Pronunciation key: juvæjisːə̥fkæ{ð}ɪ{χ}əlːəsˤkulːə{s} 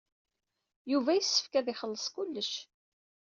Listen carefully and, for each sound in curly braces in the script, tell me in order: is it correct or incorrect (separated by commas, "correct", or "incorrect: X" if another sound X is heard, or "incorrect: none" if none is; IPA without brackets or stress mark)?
correct, correct, incorrect: ʃ